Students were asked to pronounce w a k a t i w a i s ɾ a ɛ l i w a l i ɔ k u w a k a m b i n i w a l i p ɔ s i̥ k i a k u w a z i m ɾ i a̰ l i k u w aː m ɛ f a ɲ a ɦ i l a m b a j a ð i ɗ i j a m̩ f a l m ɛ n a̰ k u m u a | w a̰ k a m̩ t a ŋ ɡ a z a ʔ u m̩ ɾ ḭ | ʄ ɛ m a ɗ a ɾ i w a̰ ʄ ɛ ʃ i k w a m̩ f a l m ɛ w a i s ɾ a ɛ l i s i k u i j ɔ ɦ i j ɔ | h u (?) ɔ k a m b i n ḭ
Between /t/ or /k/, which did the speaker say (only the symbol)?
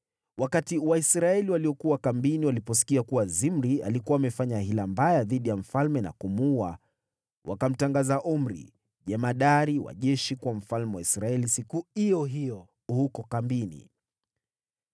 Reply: k